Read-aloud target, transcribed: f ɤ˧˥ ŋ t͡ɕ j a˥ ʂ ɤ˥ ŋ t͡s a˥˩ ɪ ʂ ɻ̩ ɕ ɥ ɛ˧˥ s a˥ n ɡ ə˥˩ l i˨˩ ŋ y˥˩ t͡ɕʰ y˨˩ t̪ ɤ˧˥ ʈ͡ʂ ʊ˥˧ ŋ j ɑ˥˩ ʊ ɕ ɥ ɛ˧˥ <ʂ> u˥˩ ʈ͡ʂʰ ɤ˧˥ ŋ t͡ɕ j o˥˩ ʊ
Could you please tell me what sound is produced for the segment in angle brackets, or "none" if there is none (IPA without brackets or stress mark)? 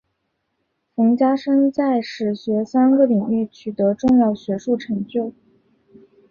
ʂ